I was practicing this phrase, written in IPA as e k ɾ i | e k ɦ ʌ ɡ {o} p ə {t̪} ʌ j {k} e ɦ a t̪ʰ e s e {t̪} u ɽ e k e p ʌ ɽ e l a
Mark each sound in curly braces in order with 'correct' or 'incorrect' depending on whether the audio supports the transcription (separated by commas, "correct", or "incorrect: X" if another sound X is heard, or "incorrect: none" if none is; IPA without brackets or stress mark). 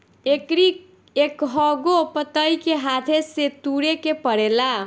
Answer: correct, correct, correct, correct